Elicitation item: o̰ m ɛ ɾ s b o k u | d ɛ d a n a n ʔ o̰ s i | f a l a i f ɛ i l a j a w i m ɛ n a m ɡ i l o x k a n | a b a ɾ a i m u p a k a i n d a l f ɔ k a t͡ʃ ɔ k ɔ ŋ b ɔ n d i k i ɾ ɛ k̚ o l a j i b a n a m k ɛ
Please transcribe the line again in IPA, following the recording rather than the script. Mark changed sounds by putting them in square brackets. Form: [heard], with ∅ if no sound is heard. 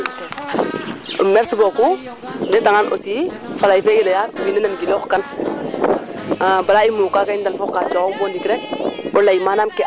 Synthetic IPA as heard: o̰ m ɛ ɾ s b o k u | d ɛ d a [ŋ] a n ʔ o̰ s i | f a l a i f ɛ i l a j a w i [n] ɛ n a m ɡ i l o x k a n | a b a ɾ a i m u [k] a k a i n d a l f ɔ k a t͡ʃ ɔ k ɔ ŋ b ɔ n d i k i ɾ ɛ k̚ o l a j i [m] a n a m k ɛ